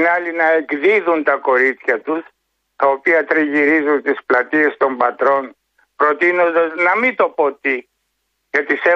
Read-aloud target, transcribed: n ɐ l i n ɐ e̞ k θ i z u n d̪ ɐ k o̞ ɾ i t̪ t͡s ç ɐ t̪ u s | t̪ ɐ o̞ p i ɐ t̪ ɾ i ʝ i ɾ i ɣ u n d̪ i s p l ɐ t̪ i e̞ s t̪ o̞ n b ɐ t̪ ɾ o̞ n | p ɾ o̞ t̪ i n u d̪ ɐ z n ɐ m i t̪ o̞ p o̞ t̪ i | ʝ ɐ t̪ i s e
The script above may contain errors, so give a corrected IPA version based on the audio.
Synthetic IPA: n ɐ l i n ɐ e̞ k ð i ð u n t̪ ɐ k o̞ ɾ i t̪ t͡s ç ɐ t̪ u s | t̪ ɐ o̞ p i ɐ t̪ ɾ i ʝ i ɾ i z u n t̪ i s p l ɐ t̪ i e̞ s t̪ o̞ m b ɐ t̪ ɾ o̞ n | p ɾ o̞ t̪ i n o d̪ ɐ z n ɐ m i t̪ o̞ p o̞ t̪ i | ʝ ɐ t̪ i s e